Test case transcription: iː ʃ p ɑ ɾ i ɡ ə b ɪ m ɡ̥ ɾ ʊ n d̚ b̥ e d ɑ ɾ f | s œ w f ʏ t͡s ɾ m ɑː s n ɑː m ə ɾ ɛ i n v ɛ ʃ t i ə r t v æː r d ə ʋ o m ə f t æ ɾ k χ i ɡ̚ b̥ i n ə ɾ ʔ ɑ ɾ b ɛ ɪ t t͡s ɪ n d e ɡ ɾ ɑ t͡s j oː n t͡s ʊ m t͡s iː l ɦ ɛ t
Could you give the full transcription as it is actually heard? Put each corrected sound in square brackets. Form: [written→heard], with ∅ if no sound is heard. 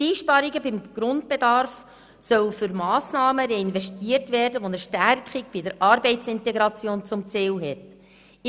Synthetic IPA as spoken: iː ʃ p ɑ ɾ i ɡ ə b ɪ m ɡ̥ ɾ ʊ n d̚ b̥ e d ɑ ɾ f | s œ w f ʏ [t͡s→∅] ɾ m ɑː s n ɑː m ə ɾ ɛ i n v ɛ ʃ t i ə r t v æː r d ə ʋ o [m→n] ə [f→ʃ] t æ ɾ k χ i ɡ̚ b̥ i [n→d] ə ɾ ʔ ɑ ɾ b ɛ ɪ t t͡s ɪ n [d→t] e ɡ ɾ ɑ t͡s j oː n t͡s ʊ m t͡s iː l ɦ ɛ t